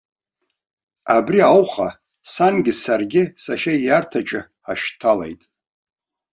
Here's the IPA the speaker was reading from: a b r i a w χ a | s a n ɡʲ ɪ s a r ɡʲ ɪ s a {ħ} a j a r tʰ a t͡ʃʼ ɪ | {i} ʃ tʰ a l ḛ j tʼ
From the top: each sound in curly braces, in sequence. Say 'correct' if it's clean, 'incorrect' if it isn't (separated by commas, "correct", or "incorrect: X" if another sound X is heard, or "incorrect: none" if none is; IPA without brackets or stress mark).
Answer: incorrect: ʃ, incorrect: a